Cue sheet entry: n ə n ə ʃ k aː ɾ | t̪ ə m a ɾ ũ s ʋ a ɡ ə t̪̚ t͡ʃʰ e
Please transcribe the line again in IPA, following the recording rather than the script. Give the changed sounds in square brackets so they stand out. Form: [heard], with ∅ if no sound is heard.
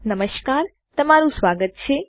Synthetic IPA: n ə [m] ə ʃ k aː ɾ | t̪ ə m a ɾ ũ s ʋ a ɡ ə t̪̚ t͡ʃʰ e